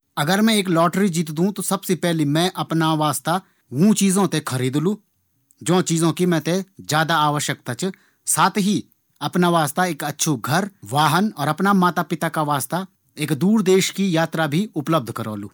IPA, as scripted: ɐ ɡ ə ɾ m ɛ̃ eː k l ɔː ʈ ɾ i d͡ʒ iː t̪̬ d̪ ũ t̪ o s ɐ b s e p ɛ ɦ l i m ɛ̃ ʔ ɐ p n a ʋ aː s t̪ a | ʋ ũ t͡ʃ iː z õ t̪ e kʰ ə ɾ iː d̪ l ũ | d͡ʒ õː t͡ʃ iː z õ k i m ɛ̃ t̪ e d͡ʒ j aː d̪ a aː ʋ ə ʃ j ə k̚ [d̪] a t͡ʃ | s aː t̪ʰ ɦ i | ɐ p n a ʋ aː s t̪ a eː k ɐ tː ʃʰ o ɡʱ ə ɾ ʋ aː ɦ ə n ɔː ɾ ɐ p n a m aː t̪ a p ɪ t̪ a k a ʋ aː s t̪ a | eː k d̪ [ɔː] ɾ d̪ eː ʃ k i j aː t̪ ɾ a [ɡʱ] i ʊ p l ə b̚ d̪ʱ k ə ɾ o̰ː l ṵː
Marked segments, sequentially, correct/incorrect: incorrect: t̪, incorrect: uː, incorrect: bʱ

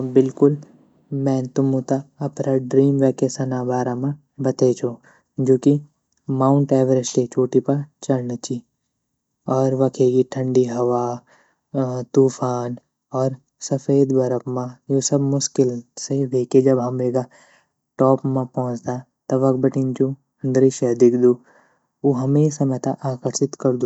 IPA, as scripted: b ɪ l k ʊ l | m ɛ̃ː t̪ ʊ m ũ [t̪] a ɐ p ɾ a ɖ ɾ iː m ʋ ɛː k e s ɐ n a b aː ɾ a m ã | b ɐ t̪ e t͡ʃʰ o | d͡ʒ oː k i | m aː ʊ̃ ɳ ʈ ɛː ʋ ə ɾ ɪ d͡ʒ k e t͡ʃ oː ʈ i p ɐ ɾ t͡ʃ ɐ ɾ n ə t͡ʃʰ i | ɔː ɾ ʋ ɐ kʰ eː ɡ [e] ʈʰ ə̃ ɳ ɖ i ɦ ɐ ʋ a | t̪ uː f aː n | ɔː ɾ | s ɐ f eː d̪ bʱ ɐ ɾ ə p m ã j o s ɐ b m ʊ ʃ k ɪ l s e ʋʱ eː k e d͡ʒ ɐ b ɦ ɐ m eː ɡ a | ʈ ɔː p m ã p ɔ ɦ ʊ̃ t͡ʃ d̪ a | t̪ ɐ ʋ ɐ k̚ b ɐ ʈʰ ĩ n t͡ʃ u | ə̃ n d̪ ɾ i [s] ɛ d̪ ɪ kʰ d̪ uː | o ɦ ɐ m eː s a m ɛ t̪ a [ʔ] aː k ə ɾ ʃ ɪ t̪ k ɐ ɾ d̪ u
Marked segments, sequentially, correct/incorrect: correct, incorrect: i, incorrect: ʃ, correct

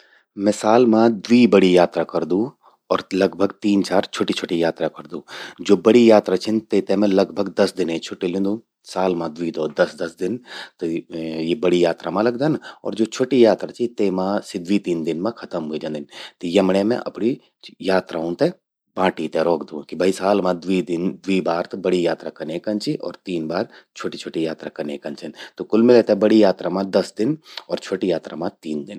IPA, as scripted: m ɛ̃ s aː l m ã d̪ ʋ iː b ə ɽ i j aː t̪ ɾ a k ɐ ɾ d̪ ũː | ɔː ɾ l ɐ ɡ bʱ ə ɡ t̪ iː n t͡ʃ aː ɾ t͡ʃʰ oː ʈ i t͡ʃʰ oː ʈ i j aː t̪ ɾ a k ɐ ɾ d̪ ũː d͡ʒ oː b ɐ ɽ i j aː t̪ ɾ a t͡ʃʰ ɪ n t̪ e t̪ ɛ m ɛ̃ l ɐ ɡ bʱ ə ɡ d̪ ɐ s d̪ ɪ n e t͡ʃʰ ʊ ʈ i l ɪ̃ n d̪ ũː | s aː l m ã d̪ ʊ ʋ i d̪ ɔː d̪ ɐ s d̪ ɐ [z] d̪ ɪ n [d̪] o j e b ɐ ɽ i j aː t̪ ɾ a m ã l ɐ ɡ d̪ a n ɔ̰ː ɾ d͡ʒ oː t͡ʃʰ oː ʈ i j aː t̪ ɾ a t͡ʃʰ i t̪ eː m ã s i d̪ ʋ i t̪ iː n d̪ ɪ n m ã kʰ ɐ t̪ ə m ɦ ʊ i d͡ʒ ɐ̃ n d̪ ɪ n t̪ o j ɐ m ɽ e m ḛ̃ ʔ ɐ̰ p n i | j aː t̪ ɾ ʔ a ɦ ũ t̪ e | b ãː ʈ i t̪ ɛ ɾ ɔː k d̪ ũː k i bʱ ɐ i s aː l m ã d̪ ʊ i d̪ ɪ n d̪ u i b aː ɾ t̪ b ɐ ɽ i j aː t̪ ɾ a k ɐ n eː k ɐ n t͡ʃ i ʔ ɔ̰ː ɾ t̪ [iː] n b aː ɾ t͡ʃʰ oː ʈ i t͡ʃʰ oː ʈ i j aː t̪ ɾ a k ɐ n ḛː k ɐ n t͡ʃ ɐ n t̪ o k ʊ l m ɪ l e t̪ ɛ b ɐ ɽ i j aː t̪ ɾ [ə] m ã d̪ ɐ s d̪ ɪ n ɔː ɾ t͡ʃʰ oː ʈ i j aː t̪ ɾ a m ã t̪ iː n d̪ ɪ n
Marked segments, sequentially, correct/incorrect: incorrect: s, incorrect: t̪, correct, incorrect: a

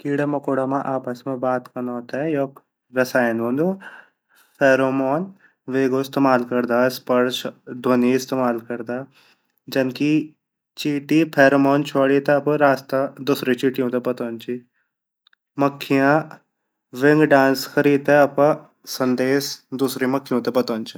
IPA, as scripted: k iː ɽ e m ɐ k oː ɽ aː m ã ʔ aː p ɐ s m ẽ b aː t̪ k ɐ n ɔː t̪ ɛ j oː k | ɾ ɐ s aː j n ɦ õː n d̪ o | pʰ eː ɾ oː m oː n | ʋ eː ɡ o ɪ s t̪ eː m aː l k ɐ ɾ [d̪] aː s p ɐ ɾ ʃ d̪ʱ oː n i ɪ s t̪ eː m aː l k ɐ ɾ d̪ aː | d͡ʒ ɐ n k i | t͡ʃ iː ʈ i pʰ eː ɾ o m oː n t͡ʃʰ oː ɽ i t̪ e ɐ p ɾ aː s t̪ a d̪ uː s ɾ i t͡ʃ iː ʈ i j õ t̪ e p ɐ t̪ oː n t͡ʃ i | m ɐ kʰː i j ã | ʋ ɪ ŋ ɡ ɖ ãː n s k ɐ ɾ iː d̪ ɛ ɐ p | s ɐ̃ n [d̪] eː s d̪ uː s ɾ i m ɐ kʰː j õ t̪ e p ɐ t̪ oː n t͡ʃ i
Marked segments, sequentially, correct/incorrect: correct, correct

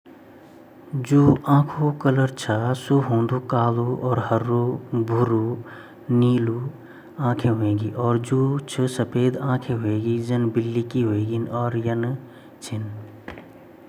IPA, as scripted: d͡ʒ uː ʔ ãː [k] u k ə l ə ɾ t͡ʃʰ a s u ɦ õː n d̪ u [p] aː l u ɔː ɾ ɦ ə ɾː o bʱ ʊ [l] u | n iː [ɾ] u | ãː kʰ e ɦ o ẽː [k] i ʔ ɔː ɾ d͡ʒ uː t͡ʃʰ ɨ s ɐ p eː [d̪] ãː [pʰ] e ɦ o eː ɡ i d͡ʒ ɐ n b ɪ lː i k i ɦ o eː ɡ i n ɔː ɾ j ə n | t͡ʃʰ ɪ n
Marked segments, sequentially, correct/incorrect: incorrect: kʰ, incorrect: k, incorrect: ɾ, incorrect: l, incorrect: ɡ, correct, incorrect: kʰ

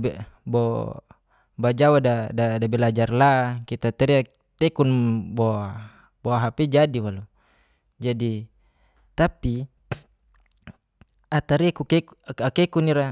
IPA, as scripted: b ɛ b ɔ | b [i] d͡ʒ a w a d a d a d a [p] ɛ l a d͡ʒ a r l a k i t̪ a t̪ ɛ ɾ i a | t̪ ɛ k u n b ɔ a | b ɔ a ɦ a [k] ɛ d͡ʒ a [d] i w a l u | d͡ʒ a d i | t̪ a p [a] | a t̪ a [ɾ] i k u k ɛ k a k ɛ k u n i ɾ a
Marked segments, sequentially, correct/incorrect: incorrect: a, incorrect: b, incorrect: p, correct, incorrect: i, correct

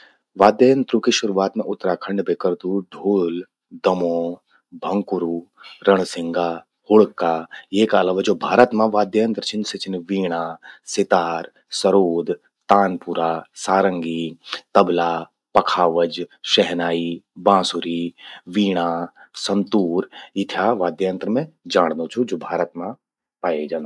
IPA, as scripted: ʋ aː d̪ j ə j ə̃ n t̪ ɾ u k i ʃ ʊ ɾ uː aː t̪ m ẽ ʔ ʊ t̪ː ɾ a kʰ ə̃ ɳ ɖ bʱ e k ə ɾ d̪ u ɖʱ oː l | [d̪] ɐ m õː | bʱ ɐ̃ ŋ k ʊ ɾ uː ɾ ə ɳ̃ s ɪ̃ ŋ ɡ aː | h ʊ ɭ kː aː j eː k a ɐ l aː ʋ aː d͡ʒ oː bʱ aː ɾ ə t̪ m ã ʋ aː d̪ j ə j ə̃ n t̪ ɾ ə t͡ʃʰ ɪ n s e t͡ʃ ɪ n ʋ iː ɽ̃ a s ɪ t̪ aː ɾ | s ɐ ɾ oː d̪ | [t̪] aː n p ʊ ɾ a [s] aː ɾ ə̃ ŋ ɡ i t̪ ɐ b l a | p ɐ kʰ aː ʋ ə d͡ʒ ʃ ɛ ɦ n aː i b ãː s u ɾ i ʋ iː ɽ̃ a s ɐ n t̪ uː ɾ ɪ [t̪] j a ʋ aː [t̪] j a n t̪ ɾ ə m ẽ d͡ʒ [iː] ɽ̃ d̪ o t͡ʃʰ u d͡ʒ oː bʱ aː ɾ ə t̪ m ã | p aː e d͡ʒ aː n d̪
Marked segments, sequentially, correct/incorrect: correct, correct, correct, incorrect: t̪ʰ, incorrect: d̪, incorrect: aː

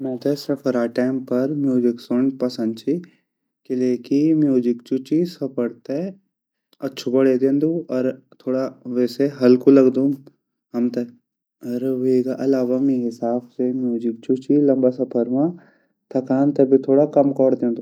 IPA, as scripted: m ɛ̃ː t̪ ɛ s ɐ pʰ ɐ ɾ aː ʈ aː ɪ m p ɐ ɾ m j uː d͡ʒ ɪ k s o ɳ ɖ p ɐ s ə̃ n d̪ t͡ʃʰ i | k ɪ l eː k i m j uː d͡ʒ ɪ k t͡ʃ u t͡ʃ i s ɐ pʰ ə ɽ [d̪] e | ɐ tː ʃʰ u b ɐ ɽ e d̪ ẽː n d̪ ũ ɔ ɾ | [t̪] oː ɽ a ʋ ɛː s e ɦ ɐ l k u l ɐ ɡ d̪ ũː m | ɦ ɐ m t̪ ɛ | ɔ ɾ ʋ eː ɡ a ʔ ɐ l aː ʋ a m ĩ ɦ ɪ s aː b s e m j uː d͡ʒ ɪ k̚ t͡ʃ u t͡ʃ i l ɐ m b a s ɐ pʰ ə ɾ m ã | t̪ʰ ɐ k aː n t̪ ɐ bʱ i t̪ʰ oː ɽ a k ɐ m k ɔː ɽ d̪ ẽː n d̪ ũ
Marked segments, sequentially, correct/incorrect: incorrect: t̪, incorrect: t̪ʰ

